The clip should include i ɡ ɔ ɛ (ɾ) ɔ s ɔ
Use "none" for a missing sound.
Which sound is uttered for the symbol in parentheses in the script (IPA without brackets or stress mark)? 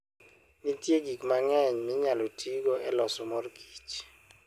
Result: l